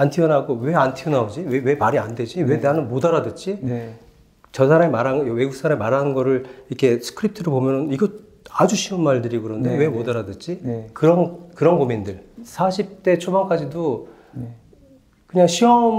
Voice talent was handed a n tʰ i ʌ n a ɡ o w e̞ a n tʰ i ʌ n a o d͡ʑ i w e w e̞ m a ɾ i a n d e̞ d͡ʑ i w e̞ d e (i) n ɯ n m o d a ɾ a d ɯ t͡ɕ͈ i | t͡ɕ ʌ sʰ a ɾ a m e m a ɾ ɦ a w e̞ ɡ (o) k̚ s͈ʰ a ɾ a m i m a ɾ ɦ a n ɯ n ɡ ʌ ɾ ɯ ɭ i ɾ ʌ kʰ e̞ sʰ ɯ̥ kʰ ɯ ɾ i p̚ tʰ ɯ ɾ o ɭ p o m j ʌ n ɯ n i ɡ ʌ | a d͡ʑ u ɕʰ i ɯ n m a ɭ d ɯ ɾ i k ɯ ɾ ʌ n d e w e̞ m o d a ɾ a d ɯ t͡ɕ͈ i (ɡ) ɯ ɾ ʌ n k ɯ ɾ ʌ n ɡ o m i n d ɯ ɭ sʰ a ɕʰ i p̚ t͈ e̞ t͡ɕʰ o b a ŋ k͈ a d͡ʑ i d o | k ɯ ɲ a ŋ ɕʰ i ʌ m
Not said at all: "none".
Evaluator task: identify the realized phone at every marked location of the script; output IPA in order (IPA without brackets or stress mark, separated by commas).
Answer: a, u, k